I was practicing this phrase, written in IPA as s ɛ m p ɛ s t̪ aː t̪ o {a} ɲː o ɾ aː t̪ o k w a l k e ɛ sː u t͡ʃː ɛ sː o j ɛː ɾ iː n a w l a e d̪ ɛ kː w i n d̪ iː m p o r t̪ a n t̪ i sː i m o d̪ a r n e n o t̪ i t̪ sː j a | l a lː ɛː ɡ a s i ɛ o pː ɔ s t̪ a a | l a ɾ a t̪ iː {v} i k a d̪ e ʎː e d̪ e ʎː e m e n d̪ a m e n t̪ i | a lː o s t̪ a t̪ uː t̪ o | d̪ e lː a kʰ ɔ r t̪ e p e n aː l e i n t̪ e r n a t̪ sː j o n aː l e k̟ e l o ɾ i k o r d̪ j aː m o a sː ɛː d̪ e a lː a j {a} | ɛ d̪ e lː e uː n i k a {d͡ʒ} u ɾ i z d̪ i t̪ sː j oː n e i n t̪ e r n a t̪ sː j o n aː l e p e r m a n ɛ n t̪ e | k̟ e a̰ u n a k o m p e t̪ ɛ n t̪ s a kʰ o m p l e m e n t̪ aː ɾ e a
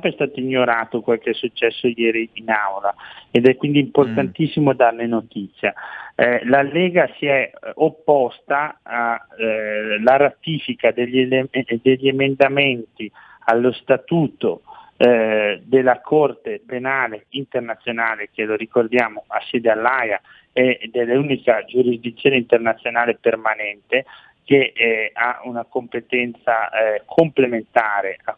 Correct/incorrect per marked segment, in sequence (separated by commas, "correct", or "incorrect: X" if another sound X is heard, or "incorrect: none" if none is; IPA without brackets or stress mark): incorrect: i, incorrect: f, correct, correct